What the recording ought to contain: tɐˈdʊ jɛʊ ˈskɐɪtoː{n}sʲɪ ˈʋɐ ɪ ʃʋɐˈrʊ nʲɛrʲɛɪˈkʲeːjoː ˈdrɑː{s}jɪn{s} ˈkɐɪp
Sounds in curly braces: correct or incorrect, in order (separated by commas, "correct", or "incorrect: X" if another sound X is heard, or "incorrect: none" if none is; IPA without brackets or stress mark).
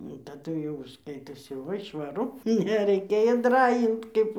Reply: incorrect: none, incorrect: none, incorrect: t